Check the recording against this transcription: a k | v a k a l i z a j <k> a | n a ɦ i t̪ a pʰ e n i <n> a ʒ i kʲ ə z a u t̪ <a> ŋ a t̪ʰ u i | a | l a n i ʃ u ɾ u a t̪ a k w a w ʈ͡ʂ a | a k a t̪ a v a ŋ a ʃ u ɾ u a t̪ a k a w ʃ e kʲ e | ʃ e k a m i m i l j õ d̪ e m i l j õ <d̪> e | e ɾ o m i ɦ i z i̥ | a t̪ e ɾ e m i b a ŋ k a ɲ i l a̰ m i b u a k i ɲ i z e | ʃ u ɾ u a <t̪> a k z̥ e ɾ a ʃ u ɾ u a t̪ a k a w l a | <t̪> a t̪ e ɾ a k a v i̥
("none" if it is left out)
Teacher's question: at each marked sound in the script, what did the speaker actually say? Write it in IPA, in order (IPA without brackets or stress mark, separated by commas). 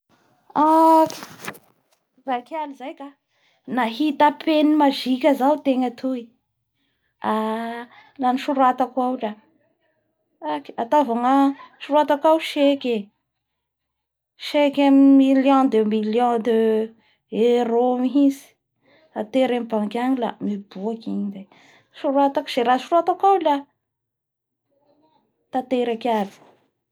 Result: k, m, e, d̪, t̪, t̪